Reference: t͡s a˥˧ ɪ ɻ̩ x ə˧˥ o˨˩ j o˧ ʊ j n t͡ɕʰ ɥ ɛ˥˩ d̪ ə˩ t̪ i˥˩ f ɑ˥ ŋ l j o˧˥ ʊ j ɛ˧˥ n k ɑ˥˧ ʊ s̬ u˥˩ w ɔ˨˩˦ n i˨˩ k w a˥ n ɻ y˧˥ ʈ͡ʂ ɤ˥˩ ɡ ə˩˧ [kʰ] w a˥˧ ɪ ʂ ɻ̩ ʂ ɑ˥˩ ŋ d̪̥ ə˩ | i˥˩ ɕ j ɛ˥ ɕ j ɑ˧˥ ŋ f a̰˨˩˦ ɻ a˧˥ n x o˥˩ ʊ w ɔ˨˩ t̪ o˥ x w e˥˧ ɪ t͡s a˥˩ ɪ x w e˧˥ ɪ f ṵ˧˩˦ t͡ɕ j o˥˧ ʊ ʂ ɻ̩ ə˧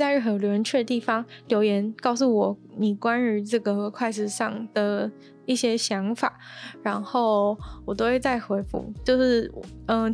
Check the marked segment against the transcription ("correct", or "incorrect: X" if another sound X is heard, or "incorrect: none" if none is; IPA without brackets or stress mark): correct